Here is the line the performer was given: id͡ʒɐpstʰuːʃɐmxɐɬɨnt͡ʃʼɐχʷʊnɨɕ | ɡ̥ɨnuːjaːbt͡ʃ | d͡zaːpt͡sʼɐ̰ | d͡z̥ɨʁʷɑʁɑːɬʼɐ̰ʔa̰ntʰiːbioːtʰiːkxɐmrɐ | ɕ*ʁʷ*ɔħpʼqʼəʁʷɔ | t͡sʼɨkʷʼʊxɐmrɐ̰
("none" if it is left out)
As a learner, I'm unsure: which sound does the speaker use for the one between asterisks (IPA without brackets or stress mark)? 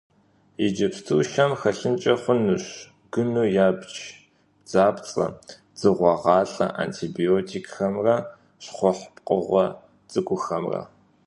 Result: χʷ